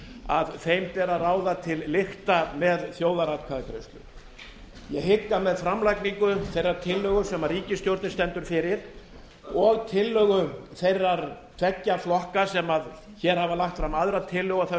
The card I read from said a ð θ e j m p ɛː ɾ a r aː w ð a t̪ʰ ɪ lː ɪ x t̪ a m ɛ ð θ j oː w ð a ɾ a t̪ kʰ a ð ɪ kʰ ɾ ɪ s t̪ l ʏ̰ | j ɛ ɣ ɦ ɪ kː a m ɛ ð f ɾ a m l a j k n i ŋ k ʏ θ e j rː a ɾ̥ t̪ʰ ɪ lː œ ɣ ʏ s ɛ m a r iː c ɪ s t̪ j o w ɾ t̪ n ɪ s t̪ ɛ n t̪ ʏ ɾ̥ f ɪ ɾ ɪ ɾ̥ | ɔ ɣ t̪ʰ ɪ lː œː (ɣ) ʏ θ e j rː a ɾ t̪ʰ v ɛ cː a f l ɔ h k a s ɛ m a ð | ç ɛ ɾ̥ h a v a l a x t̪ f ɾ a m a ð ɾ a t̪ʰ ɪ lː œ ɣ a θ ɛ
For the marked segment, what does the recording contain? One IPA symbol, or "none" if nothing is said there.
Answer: ɣ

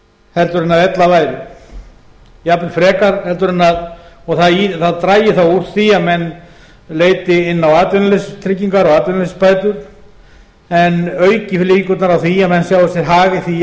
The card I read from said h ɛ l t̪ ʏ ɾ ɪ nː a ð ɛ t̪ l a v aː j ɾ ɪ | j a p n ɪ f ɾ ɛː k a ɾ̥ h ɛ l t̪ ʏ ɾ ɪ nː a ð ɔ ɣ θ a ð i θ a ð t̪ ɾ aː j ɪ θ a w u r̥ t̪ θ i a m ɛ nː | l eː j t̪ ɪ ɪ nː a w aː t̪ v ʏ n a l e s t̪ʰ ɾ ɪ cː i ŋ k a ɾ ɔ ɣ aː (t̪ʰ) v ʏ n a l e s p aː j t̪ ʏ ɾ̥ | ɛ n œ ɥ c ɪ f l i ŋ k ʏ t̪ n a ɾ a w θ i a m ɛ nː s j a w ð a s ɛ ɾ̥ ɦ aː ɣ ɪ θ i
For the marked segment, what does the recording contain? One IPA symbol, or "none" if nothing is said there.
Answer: t̪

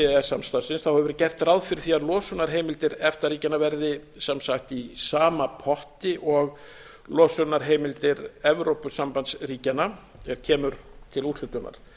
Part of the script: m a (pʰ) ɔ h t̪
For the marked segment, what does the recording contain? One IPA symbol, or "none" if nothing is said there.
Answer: pʰ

